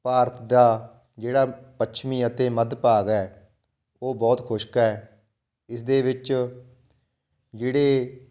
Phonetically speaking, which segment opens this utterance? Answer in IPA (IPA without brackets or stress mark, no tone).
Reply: p